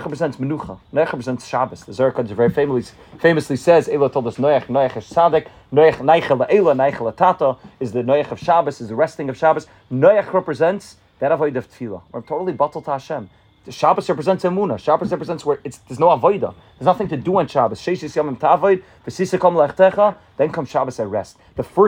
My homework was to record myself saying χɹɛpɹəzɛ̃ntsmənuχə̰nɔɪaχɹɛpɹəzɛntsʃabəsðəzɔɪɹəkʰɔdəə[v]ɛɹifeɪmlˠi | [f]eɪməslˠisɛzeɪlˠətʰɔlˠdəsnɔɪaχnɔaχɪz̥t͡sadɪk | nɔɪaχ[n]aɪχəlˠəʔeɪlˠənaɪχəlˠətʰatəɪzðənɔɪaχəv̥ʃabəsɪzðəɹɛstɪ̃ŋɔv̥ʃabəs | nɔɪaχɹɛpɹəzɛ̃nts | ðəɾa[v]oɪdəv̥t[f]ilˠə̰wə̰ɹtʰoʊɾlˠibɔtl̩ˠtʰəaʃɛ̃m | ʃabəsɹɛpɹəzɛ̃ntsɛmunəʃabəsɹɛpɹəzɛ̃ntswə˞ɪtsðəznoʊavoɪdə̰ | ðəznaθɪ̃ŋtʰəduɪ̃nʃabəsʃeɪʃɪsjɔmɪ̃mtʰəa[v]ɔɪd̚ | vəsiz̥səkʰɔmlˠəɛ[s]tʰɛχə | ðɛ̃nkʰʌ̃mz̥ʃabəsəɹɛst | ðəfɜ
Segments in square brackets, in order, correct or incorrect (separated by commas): correct, correct, correct, correct, correct, correct, incorrect